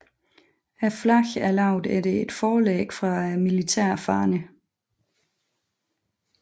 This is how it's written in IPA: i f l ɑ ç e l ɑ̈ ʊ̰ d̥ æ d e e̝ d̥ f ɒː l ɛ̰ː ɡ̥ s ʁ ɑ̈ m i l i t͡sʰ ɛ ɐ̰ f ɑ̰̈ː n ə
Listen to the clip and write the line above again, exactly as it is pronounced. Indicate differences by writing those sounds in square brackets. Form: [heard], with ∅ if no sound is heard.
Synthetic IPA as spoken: [æ] f l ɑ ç [æ] l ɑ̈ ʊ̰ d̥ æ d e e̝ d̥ f ɒː l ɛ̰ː ɡ̥ [f] ʁ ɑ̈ m i l i t͡sʰ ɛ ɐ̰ f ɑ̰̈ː n ə